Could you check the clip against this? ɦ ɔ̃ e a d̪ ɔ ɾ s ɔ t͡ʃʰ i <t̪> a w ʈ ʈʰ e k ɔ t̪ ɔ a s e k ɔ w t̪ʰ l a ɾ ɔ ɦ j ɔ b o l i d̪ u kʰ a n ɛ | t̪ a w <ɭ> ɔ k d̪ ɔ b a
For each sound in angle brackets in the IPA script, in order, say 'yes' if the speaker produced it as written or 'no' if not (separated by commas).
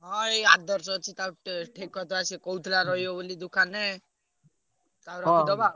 yes, no